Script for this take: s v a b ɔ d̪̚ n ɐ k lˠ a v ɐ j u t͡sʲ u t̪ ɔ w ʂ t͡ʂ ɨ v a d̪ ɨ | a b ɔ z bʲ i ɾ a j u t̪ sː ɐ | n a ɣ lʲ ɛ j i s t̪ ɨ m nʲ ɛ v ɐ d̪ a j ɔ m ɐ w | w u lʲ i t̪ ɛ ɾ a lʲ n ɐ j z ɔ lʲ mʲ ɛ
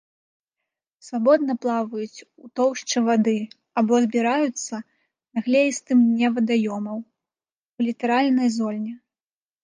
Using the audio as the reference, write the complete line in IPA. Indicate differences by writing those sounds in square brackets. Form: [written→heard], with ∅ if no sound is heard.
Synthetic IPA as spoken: s v a b ɔ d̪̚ n ɐ [k→p] lˠ a v ɐ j u t͡sʲ u t̪ ɔ w ʂ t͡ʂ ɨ v a d̪ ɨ | a b ɔ z bʲ i ɾ a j u t̪ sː ɐ | n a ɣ lʲ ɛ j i s t̪ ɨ m nʲ ɛ v ɐ d̪ a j ɔ m ɐ w | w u lʲ i t̪ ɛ ɾ a lʲ n ɐ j z ɔ lʲ [mʲ→nʲ] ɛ